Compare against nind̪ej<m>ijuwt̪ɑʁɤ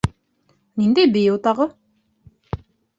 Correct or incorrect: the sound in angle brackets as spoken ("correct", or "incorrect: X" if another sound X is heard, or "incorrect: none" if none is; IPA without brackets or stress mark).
incorrect: b